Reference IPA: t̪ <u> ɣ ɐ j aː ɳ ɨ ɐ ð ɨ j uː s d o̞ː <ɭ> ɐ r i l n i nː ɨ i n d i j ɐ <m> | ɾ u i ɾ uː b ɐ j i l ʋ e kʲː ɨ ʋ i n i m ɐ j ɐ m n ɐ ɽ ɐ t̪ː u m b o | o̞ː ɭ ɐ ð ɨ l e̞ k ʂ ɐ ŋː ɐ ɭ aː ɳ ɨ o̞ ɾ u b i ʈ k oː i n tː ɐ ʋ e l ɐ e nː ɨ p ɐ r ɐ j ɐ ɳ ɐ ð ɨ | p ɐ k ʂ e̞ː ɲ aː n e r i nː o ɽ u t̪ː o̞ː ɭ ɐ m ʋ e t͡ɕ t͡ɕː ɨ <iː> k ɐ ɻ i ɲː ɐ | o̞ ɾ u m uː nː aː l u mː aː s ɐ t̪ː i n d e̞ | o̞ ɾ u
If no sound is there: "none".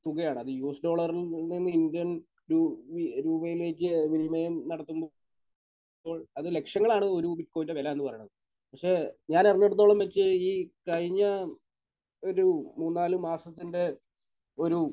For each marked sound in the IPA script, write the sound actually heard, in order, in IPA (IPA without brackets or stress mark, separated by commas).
u, ɭ, n, iː